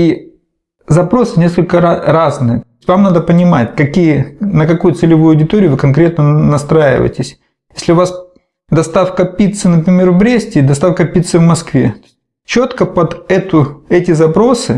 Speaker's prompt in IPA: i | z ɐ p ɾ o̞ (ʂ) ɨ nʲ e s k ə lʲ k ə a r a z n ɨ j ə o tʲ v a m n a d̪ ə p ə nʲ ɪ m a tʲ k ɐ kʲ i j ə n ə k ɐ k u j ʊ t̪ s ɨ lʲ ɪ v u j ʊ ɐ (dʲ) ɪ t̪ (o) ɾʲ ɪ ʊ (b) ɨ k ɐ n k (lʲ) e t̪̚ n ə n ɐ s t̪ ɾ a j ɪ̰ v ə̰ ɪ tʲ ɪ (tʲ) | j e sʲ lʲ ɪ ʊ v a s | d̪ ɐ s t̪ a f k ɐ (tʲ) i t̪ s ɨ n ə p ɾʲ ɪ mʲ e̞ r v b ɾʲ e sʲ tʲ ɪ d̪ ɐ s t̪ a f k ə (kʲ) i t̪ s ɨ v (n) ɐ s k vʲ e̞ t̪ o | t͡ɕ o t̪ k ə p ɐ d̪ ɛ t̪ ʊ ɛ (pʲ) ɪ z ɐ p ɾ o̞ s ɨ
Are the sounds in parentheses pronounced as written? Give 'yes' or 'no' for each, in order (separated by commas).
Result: no, yes, yes, no, no, no, no, no, no, no